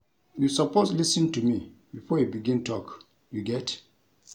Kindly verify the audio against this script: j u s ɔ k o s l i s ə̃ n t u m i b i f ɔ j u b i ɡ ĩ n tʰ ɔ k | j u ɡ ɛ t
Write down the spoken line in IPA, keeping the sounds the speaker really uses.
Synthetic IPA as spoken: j u s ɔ p o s l i s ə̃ n t u m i b i f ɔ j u b i ɡ ĩ n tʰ ɔ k | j u ɡ ɛ t